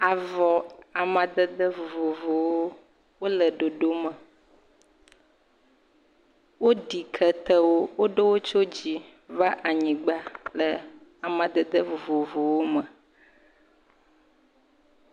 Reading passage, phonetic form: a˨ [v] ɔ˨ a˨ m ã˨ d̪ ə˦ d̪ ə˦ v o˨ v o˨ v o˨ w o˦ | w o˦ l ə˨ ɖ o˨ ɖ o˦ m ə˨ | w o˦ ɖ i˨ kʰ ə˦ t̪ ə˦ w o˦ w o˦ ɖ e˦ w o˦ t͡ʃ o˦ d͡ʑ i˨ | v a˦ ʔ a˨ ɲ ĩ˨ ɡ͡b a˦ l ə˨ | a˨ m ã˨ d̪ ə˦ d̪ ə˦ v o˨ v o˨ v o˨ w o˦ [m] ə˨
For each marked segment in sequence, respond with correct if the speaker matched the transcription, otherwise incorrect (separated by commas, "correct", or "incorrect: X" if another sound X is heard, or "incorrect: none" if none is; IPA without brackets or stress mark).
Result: correct, correct